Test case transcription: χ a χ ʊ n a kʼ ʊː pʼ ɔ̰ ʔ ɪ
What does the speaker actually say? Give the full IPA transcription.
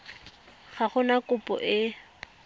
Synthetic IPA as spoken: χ a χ ʊ n a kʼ ʊ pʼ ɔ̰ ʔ ɪ